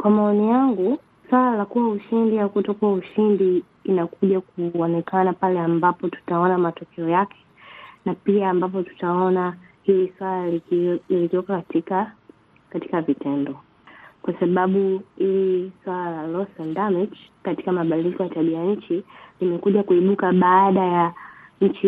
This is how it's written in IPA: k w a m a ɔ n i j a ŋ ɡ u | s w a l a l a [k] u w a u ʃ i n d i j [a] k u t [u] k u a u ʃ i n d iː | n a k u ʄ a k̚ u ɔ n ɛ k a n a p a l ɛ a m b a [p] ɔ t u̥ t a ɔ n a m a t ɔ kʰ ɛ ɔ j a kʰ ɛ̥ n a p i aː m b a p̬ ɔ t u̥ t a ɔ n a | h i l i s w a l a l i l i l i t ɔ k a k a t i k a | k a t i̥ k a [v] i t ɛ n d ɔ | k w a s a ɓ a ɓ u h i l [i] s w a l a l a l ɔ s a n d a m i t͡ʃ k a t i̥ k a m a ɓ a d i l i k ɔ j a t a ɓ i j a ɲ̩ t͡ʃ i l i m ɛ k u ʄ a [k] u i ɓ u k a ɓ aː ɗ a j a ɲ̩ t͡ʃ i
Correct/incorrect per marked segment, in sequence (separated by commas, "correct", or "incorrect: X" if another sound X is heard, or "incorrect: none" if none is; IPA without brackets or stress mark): correct, correct, incorrect: ɔ, correct, correct, correct, correct